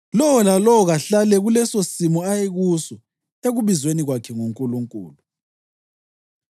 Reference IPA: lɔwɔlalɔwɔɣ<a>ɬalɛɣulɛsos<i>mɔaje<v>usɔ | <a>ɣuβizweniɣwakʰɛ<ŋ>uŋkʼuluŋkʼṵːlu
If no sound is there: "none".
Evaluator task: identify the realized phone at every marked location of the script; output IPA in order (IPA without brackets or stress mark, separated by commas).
a, i, ɣ, e, ŋ